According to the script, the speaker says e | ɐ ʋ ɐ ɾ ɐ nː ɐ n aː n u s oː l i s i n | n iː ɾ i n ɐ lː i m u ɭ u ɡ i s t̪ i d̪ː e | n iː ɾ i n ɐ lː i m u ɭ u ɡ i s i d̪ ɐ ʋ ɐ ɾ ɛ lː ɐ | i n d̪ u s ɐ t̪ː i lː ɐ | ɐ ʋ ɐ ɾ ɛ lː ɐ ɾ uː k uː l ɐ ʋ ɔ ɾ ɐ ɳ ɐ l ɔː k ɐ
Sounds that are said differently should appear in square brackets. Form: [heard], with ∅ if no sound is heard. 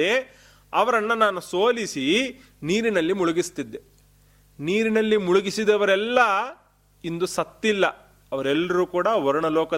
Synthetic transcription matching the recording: e | ɐ ʋ ɐ ɾ ɐ nː ɐ n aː n u s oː l i s i [∅] | n iː ɾ i n ɐ lː i m u ɭ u ɡ i s t̪ i d̪ː e | n iː ɾ i n ɐ lː i m u ɭ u ɡ i s i d̪ ɐ ʋ ɐ ɾ ɛ lː ɐ | i n d̪ u s ɐ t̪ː i lː ɐ | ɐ ʋ ɐ ɾ ɛ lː ɐ ɾ uː k uː [ɽ] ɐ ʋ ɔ ɾ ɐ ɳ ɐ l ɔː k ɐ